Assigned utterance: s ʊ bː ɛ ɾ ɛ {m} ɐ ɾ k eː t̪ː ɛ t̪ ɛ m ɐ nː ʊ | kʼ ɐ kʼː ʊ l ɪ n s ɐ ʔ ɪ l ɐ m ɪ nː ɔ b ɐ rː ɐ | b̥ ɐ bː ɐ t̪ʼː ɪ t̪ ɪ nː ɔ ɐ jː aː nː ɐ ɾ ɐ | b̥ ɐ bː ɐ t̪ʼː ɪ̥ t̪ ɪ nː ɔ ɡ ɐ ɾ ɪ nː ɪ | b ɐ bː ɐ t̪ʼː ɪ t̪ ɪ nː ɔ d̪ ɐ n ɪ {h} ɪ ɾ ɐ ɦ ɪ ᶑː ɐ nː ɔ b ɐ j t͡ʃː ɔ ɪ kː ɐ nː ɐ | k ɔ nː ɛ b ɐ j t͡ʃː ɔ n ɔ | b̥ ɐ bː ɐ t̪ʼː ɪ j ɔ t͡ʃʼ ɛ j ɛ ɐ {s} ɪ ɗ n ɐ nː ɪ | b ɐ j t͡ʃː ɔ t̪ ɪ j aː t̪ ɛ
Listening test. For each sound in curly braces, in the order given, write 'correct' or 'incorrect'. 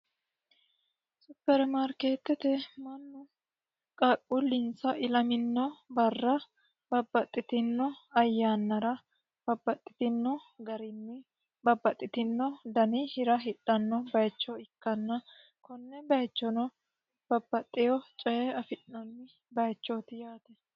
correct, correct, incorrect: f

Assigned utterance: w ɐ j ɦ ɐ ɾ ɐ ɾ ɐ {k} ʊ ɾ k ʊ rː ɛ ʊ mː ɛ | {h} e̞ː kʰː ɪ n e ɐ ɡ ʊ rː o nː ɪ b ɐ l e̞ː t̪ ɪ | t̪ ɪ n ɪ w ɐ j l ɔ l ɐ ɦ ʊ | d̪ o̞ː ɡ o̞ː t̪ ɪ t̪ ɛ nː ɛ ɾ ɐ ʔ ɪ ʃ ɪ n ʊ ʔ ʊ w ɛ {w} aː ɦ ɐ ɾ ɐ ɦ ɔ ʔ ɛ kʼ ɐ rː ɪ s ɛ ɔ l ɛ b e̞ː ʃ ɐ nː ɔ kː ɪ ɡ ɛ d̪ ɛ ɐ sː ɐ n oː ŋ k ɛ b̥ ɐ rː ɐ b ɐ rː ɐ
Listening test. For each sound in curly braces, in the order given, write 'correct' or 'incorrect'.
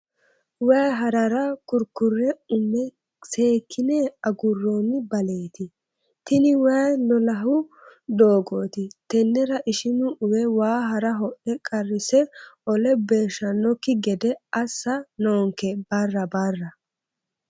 correct, incorrect: s, correct

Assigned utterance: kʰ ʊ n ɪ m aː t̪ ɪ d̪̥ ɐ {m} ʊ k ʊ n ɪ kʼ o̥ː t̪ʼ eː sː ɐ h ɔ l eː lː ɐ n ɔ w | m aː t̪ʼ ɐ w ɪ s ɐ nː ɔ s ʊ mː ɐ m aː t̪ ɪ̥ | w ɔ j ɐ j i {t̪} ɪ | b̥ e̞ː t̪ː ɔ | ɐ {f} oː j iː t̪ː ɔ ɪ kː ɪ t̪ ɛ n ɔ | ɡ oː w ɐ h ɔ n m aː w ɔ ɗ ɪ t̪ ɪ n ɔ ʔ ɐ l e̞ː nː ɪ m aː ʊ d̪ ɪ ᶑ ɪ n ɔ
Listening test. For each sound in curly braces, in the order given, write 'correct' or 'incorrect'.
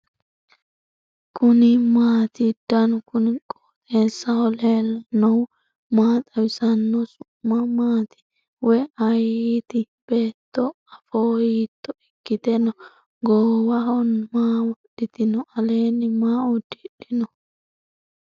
incorrect: n, correct, correct

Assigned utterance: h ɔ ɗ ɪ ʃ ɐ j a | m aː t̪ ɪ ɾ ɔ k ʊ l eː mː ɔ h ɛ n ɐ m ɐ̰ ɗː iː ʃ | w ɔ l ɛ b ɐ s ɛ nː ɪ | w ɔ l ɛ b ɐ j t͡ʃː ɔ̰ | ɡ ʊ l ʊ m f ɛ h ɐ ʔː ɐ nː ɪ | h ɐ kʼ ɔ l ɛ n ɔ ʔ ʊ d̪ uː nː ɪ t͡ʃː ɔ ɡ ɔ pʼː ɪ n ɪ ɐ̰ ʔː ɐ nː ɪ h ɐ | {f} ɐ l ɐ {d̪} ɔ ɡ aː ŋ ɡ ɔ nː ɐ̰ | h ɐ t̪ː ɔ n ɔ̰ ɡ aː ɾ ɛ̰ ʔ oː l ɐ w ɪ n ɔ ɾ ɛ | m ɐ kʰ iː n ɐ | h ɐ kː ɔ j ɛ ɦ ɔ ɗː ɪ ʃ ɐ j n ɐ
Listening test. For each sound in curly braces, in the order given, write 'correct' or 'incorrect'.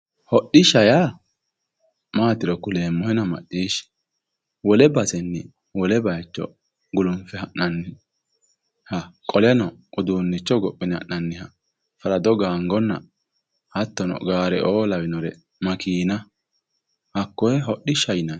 correct, correct

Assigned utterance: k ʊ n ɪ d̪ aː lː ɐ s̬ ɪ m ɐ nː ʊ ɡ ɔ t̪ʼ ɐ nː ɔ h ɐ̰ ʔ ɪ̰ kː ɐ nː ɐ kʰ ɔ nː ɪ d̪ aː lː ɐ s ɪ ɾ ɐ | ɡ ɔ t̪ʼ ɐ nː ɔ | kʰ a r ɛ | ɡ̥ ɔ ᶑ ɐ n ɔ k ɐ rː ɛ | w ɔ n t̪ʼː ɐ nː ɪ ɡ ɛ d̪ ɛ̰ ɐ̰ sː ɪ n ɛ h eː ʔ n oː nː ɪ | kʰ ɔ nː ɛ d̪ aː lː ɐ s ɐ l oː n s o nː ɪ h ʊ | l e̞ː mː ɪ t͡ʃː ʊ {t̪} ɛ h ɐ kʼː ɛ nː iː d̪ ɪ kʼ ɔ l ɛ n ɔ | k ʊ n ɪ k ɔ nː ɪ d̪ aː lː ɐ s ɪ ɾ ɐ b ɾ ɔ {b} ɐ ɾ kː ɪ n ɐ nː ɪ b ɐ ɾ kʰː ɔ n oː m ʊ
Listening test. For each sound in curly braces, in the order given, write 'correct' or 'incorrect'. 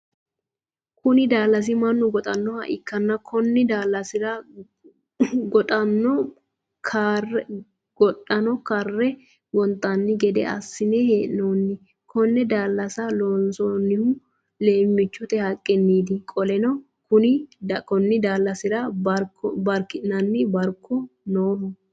correct, correct

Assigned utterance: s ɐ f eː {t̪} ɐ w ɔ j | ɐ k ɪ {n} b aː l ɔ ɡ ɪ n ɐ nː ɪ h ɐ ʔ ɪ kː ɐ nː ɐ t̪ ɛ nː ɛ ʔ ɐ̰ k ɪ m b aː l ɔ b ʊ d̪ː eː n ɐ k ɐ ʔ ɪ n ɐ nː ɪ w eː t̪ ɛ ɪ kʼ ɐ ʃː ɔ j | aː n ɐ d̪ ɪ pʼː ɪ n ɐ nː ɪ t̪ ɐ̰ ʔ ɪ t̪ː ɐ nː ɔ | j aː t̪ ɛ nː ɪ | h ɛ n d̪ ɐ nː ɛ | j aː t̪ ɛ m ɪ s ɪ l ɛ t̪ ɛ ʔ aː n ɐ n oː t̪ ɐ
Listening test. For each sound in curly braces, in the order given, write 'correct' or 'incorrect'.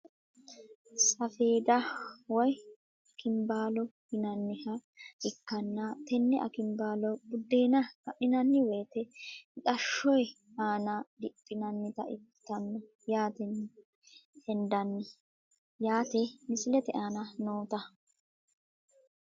incorrect: d̪, incorrect: m

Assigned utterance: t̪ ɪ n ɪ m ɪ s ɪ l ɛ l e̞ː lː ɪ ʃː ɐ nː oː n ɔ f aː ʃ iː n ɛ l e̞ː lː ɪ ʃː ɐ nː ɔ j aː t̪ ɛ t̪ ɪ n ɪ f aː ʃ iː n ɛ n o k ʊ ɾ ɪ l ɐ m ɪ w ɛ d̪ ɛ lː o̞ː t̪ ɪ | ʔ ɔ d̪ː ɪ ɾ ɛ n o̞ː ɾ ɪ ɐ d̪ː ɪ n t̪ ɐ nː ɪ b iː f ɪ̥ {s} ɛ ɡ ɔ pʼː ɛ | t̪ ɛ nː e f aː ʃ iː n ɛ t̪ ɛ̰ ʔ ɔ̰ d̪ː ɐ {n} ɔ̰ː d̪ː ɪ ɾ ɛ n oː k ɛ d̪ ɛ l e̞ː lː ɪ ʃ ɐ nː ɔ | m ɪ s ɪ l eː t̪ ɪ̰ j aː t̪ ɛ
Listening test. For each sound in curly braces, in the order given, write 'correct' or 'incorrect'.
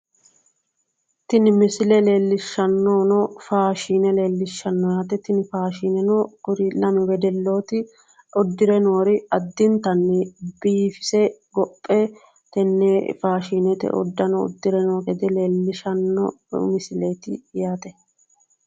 correct, correct

